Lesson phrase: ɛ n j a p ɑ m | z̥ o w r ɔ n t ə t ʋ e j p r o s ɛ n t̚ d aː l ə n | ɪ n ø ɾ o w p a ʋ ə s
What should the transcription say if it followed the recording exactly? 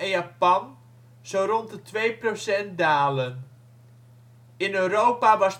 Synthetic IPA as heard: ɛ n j a p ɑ n | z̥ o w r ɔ n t ə t ʋ e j p r o s ɛ n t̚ d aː l ə n | ɪ n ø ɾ o w p a ʋ ɑ s